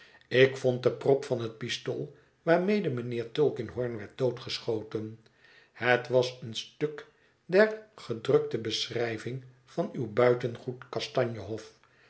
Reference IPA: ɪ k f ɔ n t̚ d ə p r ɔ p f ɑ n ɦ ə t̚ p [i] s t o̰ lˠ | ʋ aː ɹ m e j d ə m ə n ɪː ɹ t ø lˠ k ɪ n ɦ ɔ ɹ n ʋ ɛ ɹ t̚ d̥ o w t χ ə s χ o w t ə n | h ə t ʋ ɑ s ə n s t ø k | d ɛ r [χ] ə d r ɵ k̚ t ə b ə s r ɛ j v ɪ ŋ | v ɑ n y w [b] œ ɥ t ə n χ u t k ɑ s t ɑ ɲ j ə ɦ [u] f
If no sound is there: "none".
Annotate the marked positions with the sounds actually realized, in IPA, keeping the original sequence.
i, χ, b, ɔ

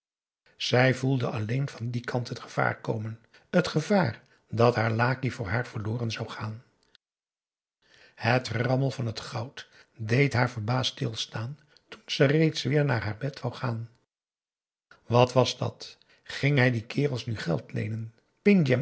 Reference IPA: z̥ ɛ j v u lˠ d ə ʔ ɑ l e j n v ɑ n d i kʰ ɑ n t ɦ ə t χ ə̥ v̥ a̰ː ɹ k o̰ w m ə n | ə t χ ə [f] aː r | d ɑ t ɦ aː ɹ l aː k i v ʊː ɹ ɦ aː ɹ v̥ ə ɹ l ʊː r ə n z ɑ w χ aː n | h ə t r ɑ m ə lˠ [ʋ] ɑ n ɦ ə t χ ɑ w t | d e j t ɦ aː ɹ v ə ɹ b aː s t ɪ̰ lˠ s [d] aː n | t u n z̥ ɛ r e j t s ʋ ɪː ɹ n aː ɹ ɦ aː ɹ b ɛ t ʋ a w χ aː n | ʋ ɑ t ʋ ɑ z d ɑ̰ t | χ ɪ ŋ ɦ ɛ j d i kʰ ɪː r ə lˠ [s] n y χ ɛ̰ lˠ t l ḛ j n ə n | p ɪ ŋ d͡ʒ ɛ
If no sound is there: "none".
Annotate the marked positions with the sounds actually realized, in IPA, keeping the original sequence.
v, v, t, s

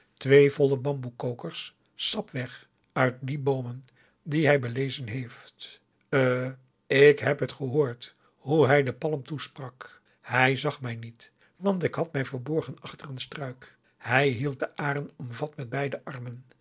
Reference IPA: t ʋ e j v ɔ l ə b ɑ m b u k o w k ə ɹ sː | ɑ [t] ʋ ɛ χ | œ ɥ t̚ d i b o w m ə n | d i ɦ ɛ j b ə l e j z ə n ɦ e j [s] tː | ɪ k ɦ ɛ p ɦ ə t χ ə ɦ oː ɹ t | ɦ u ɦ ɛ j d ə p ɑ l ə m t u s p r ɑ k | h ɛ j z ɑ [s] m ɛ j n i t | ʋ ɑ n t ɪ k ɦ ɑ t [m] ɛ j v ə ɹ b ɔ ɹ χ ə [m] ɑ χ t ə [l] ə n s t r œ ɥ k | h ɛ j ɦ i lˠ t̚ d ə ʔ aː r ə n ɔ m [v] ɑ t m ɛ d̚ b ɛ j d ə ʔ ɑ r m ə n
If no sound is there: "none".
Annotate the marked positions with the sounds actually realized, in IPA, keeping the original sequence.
p, f, χ, m, n, r, v

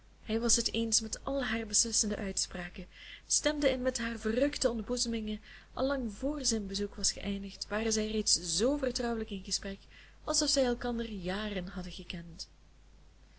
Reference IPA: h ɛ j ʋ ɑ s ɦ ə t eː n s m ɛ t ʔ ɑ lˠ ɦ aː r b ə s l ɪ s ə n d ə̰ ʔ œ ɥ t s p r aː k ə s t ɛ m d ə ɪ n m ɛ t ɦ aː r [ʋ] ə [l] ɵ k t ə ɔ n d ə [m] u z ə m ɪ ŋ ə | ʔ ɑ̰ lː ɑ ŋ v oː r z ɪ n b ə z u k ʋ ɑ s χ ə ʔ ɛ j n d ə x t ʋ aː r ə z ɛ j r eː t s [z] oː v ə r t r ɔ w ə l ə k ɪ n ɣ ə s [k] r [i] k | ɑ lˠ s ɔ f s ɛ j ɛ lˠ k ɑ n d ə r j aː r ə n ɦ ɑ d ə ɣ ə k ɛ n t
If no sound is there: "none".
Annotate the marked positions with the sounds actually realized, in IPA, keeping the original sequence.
v, r, b, z, p, ɛ

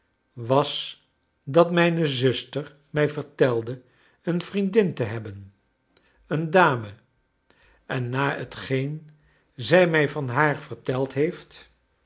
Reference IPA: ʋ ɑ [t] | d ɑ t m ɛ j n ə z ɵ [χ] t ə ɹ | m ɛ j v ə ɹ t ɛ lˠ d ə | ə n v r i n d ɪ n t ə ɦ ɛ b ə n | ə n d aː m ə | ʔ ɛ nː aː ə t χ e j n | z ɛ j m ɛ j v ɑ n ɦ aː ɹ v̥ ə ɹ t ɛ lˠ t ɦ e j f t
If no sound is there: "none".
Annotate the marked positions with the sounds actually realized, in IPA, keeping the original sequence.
s, s

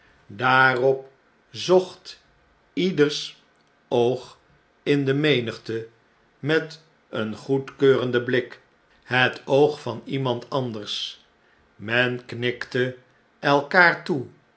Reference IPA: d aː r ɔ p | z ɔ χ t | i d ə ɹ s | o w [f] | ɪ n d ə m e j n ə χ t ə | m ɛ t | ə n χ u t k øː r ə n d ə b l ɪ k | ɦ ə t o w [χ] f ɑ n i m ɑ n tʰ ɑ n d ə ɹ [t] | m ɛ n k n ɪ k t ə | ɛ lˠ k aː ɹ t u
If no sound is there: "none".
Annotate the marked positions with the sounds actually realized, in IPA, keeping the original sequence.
χ, χ, s

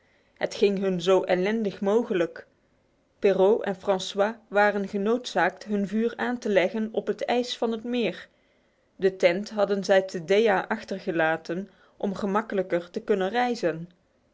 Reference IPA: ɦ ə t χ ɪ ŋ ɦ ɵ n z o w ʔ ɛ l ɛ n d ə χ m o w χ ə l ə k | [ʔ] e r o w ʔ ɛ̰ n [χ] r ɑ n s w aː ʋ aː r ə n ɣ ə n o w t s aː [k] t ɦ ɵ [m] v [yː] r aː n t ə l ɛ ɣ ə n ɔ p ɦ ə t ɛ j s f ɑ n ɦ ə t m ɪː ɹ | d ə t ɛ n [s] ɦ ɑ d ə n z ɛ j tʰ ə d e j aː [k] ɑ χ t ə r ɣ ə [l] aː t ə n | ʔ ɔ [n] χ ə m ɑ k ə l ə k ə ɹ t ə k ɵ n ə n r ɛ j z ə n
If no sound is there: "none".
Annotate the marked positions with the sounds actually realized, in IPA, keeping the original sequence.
p, f, k, n, yː, t, ʔ, l, m

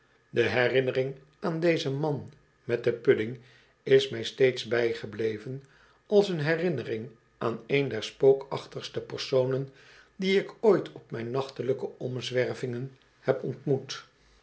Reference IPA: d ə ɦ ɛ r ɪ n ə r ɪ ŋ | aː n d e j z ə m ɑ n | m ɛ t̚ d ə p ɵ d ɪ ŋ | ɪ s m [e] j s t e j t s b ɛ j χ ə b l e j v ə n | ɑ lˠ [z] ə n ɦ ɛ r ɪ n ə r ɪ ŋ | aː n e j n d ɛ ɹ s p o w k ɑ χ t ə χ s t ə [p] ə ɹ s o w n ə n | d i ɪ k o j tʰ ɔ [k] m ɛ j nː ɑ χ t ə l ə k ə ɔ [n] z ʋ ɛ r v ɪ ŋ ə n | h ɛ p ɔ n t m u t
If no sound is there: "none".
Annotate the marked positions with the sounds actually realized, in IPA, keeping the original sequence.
ɛ, s, p, p, m

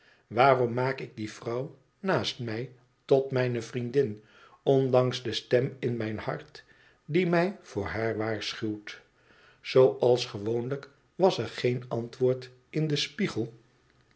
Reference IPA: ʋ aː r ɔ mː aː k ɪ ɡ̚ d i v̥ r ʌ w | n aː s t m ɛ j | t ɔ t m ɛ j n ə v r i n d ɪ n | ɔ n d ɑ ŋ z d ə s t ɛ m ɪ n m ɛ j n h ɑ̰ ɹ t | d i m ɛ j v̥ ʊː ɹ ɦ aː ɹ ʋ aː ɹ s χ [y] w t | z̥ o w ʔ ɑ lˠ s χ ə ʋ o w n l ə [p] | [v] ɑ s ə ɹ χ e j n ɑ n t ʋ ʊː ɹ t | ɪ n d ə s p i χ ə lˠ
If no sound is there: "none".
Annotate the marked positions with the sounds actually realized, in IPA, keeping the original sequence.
y, k, ʋ

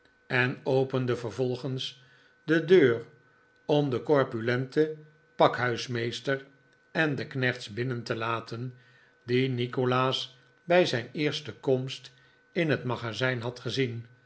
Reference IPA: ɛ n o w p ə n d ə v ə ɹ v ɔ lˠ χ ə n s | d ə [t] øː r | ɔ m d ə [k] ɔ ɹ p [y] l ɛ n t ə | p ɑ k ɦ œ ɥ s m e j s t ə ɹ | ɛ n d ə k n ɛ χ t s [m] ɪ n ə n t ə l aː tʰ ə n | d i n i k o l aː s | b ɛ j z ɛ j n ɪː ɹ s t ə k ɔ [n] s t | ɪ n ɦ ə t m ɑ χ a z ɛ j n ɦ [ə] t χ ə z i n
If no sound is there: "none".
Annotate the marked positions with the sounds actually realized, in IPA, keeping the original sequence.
d, k, y, b, m, ɑ

